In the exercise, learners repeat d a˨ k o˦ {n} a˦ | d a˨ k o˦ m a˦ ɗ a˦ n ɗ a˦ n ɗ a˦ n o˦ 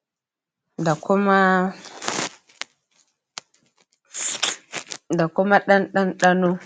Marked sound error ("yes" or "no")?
yes